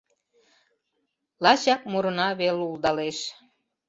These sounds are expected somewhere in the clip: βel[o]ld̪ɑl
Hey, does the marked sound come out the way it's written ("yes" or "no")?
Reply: no